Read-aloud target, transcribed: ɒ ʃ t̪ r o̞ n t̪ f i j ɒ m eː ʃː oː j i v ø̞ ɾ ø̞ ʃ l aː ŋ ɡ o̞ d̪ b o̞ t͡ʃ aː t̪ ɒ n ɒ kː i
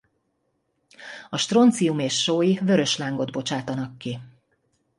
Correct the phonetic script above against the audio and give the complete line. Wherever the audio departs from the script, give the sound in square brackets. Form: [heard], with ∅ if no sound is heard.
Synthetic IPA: ɒ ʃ t̪ r o̞ n t̪ [s] i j [u] m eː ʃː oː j i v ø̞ ɾ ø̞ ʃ l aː ŋ ɡ o̞ d̪ b o̞ t͡ʃ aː t̪ ɒ n ɒ kː i